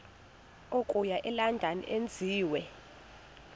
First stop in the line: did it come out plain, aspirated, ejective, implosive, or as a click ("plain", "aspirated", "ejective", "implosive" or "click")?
ejective